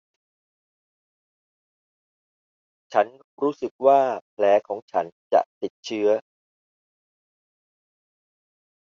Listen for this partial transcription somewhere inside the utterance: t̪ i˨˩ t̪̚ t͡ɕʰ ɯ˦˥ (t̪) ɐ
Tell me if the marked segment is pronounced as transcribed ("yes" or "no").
no